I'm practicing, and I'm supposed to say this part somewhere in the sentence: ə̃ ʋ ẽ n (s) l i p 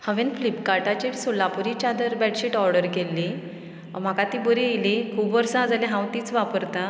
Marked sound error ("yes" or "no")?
yes